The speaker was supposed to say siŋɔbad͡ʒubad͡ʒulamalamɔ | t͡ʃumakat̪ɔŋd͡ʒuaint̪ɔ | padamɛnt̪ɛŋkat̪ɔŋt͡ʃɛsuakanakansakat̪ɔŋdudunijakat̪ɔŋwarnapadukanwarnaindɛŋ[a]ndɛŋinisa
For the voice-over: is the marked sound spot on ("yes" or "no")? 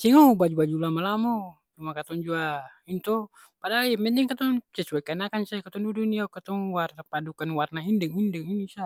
no